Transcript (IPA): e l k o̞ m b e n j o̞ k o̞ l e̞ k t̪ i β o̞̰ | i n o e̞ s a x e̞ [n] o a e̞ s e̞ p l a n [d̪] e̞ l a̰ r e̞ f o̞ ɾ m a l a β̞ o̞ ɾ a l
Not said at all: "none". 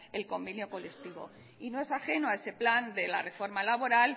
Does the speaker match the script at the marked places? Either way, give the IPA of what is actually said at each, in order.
n, d̪

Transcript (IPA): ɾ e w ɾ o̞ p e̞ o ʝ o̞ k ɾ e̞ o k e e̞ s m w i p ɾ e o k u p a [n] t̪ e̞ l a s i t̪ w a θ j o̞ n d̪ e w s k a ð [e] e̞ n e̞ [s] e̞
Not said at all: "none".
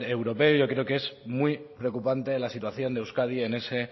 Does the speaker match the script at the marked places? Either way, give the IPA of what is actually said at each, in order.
n, i, s

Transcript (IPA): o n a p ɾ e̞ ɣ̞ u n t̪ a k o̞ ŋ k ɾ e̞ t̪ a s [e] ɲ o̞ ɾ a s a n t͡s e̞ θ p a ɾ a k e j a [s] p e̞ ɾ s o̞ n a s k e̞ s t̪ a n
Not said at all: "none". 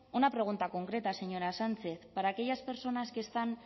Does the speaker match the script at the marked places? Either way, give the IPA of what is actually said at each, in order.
e, s

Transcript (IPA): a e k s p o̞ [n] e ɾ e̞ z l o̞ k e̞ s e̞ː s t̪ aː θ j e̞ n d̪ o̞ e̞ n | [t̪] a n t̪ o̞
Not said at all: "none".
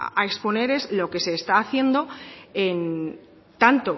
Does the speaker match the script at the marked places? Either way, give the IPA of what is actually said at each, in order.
n, t̪

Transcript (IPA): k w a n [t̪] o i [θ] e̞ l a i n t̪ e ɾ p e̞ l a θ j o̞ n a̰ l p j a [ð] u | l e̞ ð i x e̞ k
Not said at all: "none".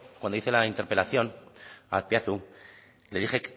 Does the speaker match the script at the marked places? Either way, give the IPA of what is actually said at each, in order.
d̪, θ, θ

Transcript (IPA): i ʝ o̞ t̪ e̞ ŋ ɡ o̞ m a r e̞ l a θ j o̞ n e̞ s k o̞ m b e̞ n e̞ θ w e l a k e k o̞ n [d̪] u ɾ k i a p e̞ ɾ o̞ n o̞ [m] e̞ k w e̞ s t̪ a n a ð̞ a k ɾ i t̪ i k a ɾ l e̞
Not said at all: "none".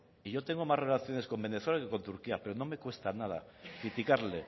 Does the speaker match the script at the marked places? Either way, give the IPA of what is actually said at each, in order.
t̪, m

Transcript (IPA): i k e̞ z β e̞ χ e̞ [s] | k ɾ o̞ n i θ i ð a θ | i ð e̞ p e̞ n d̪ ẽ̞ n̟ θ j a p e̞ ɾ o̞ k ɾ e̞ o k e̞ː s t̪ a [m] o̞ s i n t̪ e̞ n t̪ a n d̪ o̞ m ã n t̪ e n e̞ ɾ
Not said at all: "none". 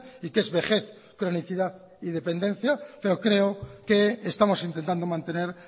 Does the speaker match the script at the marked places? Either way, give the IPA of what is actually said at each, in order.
θ, m

